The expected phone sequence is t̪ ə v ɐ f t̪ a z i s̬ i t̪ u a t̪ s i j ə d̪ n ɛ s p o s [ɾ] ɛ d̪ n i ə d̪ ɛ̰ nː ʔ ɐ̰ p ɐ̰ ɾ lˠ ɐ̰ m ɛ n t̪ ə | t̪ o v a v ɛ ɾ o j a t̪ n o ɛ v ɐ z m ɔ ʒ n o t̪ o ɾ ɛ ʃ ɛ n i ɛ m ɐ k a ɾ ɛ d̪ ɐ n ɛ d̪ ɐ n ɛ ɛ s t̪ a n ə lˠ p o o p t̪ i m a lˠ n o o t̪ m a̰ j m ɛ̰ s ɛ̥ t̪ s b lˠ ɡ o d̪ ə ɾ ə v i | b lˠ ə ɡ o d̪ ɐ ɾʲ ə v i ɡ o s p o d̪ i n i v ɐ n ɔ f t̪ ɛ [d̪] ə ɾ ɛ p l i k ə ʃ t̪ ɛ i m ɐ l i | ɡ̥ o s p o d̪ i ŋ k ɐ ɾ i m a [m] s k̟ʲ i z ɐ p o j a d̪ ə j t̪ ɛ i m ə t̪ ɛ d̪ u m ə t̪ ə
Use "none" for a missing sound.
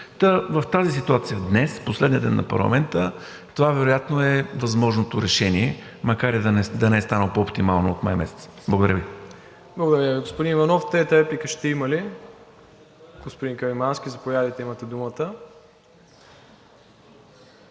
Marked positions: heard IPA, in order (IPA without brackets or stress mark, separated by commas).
l, t̪, n